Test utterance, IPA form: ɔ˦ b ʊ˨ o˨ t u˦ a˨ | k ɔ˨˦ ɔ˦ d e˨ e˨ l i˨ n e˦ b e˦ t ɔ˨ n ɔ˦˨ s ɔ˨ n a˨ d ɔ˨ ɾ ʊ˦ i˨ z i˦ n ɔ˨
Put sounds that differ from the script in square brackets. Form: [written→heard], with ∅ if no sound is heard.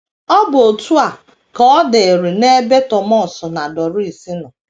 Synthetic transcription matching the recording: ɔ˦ b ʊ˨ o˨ t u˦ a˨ | k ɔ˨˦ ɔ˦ d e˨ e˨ [l→ɾ] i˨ n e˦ b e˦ t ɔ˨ [n→m] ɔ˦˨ s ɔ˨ n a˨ d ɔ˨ ɾ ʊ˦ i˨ [z→s] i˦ n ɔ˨